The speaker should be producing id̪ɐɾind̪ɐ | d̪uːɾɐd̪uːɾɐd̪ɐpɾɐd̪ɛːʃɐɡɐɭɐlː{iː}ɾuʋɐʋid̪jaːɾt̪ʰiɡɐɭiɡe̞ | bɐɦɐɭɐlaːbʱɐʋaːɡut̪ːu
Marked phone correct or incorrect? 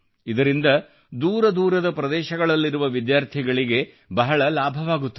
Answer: incorrect